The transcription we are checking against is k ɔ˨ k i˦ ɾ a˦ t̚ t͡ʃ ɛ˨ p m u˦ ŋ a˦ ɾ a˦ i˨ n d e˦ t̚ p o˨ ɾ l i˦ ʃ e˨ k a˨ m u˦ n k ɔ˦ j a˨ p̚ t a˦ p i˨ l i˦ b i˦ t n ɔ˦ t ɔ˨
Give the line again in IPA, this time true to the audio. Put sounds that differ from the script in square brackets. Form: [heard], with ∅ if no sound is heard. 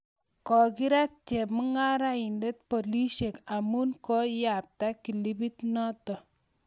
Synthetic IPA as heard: k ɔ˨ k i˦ ɾ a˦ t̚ t͡ʃ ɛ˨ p m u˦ ŋ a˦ ɾ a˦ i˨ n d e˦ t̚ p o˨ [∅] l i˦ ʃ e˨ k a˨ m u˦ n k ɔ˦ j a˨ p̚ t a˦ [k] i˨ l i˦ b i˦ t n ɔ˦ t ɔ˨